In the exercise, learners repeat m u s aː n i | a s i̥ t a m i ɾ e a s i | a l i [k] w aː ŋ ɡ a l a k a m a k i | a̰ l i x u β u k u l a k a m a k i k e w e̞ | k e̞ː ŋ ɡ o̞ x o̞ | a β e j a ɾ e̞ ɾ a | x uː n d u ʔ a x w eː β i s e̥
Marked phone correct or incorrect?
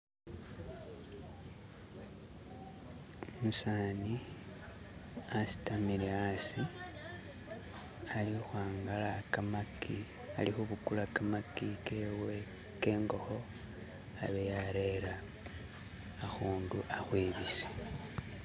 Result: incorrect